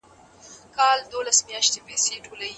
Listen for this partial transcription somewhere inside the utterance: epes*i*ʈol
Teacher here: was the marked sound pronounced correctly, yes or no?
no